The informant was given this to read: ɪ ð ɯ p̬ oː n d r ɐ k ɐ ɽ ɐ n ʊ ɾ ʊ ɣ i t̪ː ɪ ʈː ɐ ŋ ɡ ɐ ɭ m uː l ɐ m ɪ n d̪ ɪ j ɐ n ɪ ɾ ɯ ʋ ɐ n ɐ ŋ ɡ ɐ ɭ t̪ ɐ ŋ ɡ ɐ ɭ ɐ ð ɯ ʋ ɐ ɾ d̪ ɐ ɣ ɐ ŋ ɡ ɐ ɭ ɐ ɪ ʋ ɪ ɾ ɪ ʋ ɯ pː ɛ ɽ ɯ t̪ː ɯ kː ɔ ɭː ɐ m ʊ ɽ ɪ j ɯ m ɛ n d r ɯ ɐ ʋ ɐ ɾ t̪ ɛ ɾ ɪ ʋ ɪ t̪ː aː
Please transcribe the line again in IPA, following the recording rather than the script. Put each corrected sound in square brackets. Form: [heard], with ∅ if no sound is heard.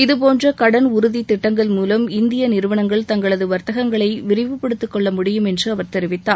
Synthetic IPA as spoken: ɪ ð ɯ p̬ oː n d r ɐ k ɐ ɽ ɐ n ʊ ɾ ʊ [ð] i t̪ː ɪ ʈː ɐ ŋ ɡ ɐ ɭ m uː l ɐ m ɪ n d̪ ɪ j ɐ n ɪ ɾ ɯ ʋ ɐ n ɐ ŋ ɡ ɐ ɭ t̪ ɐ ŋ ɡ ɐ ɭ ɐ ð ɯ ʋ ɐ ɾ [t̪] ɐ ɣ ɐ ŋ ɡ ɐ ɭ ɐ ɪ ʋ ɪ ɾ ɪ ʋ ɯ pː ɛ ɽ ɯ t̪ː ɯ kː ɔ ɭː ɐ m ʊ ɽ ɪ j ɯ m ɛ n d r ɯ ɐ ʋ ɐ ɾ t̪ ɛ ɾ ɪ ʋ ɪ t̪ː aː